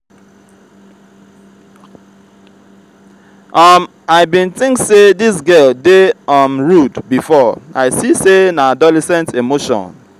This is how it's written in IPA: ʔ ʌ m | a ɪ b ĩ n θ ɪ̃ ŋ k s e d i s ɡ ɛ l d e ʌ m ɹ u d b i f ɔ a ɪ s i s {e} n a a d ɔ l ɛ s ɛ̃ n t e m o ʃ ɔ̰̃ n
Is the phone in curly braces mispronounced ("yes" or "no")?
no